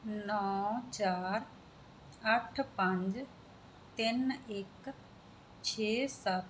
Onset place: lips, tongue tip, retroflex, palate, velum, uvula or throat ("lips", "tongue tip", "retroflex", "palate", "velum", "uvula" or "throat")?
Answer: tongue tip